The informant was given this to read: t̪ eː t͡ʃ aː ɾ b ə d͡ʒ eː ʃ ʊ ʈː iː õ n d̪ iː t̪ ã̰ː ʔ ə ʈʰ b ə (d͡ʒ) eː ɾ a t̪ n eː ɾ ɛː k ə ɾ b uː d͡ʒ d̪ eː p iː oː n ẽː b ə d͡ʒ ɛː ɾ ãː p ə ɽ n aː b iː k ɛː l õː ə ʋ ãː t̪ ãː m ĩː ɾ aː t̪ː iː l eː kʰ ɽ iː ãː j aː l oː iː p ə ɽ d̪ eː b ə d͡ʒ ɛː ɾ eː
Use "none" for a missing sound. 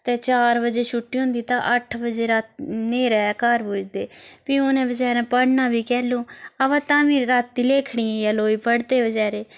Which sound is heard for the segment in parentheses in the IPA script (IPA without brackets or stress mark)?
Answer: d͡ʒ